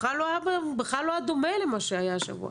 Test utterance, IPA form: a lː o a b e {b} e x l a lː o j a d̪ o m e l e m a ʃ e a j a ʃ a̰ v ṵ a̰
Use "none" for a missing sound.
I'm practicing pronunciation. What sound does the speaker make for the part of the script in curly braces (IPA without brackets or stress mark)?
b